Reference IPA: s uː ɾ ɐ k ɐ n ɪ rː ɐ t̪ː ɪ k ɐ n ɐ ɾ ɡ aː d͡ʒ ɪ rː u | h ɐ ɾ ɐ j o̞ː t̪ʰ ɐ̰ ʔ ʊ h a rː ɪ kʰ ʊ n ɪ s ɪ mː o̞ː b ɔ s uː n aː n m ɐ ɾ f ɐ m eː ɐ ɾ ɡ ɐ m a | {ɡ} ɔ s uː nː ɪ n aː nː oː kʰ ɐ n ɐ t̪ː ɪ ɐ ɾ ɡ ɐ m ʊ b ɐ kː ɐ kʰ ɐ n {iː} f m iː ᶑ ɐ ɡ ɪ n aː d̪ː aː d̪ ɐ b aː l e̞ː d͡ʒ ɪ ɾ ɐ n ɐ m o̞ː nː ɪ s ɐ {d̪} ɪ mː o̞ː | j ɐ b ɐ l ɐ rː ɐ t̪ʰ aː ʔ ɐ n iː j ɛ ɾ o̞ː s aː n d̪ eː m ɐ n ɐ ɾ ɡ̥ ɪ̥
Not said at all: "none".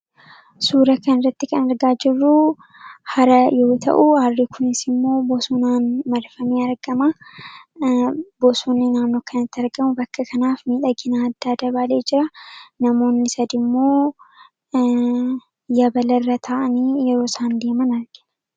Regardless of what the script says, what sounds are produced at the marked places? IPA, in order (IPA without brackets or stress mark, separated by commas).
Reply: b, aː, d̪